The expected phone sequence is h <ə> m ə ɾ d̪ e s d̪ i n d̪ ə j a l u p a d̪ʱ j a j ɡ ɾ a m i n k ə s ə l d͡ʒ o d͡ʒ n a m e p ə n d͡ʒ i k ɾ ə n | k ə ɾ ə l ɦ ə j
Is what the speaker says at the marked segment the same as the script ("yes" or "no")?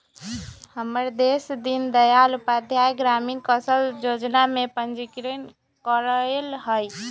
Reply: yes